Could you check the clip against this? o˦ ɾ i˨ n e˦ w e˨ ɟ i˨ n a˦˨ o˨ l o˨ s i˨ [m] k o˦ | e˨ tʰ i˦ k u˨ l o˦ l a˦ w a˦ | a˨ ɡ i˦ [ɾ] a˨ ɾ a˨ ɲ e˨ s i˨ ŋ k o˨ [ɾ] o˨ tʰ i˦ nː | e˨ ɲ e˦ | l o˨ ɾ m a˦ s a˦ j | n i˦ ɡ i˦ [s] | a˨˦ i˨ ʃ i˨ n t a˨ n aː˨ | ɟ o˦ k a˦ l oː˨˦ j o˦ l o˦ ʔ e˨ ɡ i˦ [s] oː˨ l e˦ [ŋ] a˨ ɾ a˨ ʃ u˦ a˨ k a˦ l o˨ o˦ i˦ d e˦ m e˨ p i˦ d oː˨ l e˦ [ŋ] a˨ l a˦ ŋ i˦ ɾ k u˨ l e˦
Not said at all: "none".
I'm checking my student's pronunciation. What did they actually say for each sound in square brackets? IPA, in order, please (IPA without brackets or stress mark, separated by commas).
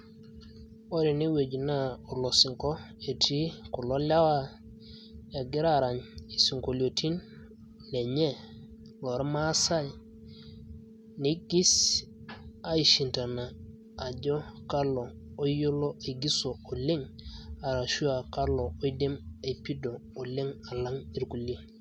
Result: ŋ, ɾ, l, s, s, ŋ, ŋ